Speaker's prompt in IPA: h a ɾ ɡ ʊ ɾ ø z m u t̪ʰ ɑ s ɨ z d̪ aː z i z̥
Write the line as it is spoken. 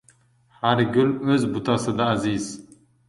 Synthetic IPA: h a ɾ ɡ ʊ l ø z b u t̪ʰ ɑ s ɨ d̪ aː z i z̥